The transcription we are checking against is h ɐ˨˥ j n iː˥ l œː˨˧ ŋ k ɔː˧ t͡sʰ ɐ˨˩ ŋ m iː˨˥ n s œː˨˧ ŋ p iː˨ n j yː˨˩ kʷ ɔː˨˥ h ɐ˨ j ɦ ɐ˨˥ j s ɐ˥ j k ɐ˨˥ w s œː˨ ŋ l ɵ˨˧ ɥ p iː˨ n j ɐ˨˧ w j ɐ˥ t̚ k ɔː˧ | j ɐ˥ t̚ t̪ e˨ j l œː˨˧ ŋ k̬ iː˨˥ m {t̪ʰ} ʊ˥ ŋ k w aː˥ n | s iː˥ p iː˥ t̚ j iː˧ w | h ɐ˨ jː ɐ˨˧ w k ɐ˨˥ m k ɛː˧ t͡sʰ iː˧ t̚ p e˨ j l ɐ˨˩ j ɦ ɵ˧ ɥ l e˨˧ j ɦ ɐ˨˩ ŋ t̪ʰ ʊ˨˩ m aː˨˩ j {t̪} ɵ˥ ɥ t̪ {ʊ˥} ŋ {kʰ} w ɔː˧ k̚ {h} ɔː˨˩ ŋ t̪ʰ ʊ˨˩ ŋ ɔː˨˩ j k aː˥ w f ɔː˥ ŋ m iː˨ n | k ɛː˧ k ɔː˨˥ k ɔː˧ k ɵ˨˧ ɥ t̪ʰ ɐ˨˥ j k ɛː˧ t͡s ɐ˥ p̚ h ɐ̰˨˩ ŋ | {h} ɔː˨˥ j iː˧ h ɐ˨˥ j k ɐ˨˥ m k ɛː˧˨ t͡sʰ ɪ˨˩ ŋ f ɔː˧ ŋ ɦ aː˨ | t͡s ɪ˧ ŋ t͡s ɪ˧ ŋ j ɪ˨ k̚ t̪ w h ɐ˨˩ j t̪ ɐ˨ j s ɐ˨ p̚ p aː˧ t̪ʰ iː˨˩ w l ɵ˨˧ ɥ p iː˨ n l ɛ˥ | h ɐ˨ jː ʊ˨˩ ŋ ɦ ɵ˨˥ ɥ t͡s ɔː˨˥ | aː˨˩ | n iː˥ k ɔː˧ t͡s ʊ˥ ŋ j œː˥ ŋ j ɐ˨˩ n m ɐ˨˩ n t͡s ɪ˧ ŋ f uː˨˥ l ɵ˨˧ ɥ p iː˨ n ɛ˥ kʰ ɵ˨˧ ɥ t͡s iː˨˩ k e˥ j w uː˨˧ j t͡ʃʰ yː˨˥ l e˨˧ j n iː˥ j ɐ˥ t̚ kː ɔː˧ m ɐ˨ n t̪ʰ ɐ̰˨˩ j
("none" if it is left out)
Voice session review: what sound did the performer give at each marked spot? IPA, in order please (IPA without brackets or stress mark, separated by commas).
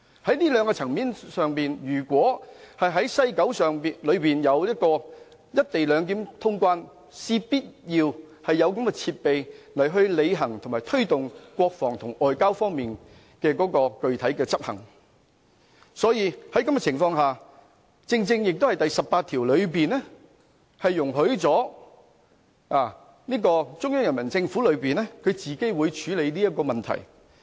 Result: t̪ʰ, t̪ʰ, ʊ˨, k, f, s